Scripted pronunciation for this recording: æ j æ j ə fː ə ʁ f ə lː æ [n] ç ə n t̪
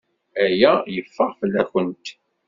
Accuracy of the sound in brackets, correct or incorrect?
incorrect